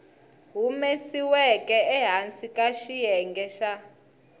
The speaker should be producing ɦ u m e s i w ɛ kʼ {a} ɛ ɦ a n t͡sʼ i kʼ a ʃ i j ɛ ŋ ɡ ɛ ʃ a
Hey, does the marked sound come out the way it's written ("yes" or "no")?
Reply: no